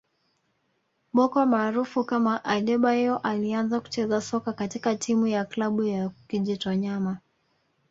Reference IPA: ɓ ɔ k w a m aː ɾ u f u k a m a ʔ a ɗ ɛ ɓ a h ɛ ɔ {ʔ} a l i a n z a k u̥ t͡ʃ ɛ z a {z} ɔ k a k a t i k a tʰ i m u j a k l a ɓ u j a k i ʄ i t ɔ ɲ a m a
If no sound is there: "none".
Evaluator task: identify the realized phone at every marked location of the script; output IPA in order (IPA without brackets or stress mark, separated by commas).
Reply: ʔ, s